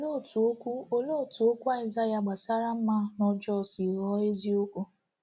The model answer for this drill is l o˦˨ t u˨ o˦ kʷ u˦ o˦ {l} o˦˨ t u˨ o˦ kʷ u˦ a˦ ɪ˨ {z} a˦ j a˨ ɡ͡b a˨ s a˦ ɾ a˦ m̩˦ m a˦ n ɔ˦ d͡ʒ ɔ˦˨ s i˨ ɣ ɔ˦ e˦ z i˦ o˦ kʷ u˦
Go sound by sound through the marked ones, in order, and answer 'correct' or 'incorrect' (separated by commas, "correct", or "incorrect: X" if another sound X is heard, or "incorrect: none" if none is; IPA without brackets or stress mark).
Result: correct, correct